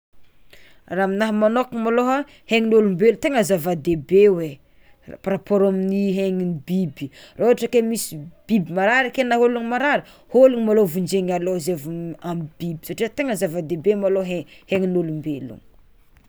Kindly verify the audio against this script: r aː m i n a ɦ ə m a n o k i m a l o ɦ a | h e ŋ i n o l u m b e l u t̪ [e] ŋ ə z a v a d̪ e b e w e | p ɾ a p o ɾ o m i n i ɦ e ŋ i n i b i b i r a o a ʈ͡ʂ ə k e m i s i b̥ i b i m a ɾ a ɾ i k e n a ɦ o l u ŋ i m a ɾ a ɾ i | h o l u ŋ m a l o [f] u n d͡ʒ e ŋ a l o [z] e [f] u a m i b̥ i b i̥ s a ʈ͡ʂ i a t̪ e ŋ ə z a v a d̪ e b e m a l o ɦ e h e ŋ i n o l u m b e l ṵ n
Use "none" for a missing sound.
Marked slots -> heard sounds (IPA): e, v, z, v

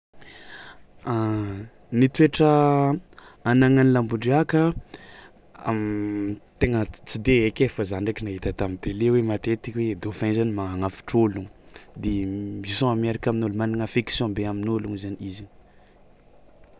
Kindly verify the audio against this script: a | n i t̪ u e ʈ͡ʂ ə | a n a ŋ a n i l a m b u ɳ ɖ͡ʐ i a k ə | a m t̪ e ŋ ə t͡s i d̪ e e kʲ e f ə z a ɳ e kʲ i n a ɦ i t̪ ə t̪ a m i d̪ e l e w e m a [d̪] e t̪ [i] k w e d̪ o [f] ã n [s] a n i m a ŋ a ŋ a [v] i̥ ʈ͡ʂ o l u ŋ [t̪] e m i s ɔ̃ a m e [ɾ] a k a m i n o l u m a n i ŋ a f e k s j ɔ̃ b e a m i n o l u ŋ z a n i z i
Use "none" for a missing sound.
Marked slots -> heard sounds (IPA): t̪, i, f, z, f, d̪, ɾ

